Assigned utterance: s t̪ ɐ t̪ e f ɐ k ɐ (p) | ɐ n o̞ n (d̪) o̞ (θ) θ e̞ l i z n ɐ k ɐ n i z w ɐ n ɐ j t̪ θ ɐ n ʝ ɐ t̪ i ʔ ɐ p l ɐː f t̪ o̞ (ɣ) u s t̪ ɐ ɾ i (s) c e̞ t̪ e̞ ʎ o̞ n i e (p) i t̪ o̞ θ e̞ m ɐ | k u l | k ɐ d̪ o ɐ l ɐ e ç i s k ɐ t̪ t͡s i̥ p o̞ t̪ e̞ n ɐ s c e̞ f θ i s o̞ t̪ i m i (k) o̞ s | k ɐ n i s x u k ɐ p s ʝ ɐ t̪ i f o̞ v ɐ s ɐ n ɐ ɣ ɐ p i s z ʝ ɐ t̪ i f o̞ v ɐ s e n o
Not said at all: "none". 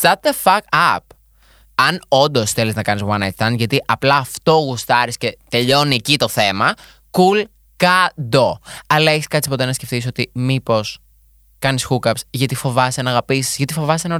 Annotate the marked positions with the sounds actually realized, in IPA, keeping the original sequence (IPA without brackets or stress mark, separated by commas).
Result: p, d̪, s, ɣ, s, c, p